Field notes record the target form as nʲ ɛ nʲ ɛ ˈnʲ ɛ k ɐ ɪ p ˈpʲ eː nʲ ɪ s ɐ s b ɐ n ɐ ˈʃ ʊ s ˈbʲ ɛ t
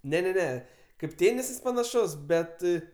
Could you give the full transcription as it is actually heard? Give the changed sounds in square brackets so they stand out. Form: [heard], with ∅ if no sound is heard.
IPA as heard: nʲ ɛ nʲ ɛ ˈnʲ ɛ k ɐ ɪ p [ˈtʲ] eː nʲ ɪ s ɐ s [p] ɐ n ɐ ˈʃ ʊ s ˈbʲ ɛ t

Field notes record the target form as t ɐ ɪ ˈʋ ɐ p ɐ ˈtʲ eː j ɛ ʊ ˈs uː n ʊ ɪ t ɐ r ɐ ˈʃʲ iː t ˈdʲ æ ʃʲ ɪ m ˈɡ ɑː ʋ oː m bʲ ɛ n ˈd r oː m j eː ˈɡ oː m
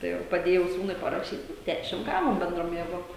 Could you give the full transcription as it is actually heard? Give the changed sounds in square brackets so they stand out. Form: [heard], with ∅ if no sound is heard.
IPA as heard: t ɐ ɪ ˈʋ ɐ p ɐ [ˈdʲ] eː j ɛ ʊ ˈs uː n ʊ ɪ [p] ɐ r ɐ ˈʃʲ iː t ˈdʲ æ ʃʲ ɪ m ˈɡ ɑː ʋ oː m bʲ ɛ n ˈd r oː m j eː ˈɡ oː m

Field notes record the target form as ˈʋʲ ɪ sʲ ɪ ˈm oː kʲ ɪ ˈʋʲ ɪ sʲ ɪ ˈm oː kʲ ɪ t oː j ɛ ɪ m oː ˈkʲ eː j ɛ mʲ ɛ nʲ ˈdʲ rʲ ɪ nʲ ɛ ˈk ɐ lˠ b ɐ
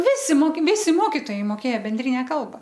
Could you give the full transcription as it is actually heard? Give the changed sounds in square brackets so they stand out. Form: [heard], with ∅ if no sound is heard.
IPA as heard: ˈʋʲ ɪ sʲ ɪ ˈm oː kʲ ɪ ˈʋʲ ɪ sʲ ɪ ˈm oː kʲ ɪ t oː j ɛ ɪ m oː ˈkʲ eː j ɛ [bʲ] ɛ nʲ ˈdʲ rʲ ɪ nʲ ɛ ˈk ɐ lˠ b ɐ

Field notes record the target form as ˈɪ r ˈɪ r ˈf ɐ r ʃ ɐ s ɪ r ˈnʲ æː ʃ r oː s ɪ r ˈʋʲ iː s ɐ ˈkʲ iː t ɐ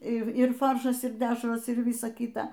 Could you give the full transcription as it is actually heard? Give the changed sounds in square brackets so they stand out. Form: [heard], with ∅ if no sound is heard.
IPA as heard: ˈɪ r ˈɪ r ˈf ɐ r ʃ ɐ s ɪ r [ˈdʲ] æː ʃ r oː s ɪ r ˈʋʲ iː s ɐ ˈkʲ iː t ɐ

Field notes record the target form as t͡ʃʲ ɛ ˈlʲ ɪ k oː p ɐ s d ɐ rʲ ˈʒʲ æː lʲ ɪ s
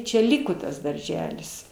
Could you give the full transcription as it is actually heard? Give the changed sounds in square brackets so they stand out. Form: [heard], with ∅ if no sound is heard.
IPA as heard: t͡ʃʲ ɛ ˈlʲ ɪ k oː [t] ɐ s d ɐ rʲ ˈʒʲ æː lʲ ɪ s

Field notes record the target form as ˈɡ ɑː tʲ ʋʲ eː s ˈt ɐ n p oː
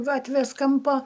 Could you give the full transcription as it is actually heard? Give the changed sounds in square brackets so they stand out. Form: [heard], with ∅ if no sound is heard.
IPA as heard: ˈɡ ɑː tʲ ʋʲ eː s [ˈk] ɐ [m] p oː

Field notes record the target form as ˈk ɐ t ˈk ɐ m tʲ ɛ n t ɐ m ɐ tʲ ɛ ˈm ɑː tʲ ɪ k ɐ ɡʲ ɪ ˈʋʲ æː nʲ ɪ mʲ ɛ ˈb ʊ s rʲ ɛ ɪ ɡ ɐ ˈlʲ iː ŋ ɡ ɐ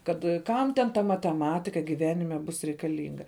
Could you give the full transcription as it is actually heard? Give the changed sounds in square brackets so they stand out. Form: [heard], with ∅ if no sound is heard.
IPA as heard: ˈk ɐ t ˈk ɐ m tʲ ɛ n t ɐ m ɐ tʲ ɛ ˈm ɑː tʲ ɪ k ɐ ɡʲ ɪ ˈʋʲ æː nʲ ɪ mʲ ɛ ˈb ʊ s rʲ ɛ ɪ [k] ɐ ˈlʲ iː ŋ ɡ ɐ

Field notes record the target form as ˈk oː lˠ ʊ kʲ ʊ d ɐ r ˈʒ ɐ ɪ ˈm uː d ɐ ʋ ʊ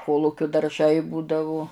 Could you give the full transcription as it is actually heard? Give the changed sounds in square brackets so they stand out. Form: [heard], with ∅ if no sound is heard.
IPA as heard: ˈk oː lˠ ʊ kʲ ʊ d ɐ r ˈʒ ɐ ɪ [ˈb] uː d ɐ ʋ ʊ

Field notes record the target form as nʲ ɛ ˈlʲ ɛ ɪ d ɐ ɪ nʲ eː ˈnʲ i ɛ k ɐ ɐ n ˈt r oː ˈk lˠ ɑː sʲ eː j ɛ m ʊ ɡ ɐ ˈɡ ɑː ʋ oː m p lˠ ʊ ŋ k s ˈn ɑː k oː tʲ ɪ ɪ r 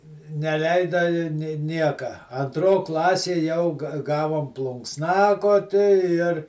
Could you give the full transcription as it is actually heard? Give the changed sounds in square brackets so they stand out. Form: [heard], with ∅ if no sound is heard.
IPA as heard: nʲ ɛ ˈlʲ ɛ ɪ d ɐ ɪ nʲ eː ˈnʲ i ɛ k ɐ ɐ n ˈt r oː ˈk lˠ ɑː sʲ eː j ɛ [∅] ʊ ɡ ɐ ˈɡ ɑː ʋ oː m p lˠ ʊ ŋ k s ˈn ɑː k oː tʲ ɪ ɪ r

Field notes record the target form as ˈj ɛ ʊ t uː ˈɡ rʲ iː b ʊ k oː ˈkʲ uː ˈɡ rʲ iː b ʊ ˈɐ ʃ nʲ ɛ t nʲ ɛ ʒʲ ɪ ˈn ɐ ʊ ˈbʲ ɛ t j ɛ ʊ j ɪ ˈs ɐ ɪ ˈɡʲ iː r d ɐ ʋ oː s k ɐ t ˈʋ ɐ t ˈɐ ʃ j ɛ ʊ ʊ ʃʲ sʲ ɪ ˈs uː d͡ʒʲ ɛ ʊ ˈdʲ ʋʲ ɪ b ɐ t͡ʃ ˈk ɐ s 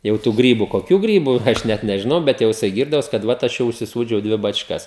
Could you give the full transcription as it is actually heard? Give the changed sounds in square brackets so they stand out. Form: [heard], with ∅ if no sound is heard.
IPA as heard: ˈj ɛ ʊ t uː ˈɡ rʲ iː b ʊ k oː ˈkʲ uː ˈɡ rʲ iː b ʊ ˈɐ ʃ nʲ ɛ t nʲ ɛ ʒʲ ɪ ˈn ɐ ʊ ˈbʲ ɛ t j ɛ ʊ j ɪ ˈs ɐ ɪ ˈɡʲ iː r d ɐ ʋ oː s k ɐ t ˈʋ ɐ t ˈɐ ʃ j ɛ ʊ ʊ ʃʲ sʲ ɪ ˈs uː d͡ʒʲ ɛ ʊ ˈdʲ ʋʲ ɪ b ɐ t͡ʃ ˈk ɐ s

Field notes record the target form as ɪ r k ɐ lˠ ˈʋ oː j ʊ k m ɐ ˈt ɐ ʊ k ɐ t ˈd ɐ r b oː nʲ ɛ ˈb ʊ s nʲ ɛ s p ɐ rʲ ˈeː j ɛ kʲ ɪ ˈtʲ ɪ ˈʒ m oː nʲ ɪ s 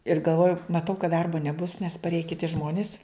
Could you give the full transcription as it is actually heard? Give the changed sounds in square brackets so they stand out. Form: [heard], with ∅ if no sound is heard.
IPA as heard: ɪ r [ɡ] ɐ lˠ ˈʋ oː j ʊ [∅] m ɐ ˈt ɐ ʊ k ɐ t ˈd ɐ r b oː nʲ ɛ ˈb ʊ s nʲ ɛ s p ɐ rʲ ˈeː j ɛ kʲ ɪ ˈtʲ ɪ ˈʒ m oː nʲ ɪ s

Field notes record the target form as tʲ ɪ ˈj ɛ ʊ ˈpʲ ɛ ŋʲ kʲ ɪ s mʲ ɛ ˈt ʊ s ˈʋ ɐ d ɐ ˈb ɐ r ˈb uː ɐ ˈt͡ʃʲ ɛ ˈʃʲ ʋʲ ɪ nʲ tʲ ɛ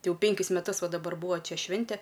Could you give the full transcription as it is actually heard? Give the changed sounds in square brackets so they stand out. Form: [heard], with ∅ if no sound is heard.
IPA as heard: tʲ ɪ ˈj ɛ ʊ ˈpʲ ɛ ŋʲ kʲ ɪ s mʲ ɛ ˈt ʊ s ˈʋ ɐ d ɐ ˈb ɐ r ˈb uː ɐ ˈt͡ʃʲ ɛ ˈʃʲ ʋʲ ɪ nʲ tʲ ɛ

